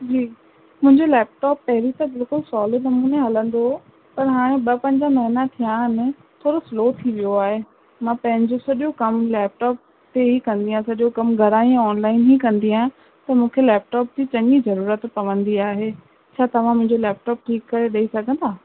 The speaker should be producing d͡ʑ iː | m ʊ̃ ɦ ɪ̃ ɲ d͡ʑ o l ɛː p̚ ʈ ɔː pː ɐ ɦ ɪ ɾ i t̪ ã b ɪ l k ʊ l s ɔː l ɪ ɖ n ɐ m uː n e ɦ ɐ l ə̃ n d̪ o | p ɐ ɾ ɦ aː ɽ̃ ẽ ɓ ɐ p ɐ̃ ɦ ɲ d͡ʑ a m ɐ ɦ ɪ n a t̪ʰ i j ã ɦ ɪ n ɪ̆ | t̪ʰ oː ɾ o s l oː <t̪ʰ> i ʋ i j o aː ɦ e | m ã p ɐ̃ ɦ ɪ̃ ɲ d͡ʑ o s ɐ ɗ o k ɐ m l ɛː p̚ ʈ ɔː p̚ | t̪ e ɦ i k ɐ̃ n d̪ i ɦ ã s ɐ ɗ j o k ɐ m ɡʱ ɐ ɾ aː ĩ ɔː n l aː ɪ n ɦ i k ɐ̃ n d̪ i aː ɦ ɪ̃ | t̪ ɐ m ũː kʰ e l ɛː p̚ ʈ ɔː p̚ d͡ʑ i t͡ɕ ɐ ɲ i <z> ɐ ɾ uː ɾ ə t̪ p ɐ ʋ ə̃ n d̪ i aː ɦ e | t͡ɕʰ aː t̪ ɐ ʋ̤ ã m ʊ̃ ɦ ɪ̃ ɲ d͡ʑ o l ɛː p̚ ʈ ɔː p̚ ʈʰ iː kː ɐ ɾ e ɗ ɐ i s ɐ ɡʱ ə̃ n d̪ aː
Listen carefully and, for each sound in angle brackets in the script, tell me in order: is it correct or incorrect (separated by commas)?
correct, correct